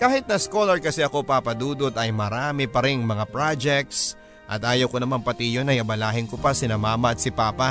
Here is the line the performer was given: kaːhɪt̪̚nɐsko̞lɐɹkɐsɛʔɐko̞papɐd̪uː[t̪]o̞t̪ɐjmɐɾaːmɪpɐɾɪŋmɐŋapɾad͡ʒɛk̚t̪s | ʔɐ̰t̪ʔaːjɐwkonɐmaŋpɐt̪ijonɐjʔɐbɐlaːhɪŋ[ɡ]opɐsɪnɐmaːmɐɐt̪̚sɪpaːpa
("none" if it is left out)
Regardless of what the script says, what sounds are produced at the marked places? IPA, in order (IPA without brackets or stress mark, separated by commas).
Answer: d̪, k